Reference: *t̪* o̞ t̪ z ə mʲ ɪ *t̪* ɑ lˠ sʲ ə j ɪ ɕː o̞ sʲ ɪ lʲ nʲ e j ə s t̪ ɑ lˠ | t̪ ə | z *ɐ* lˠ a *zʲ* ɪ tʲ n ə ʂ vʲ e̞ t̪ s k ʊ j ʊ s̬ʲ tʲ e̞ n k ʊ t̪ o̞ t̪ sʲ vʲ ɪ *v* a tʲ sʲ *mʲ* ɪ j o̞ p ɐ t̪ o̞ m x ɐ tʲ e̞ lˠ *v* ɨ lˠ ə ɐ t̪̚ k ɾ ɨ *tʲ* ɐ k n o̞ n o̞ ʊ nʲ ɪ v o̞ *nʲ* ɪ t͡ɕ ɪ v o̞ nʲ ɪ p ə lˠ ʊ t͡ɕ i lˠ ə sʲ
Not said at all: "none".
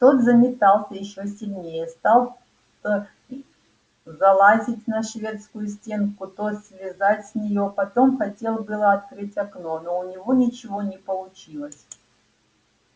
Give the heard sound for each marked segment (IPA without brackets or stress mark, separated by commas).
t̪, t̪, ɐ, zʲ, z, nʲ, b, tʲ, nʲ